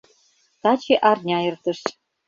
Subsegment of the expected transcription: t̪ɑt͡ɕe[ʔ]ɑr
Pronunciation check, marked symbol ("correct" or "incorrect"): correct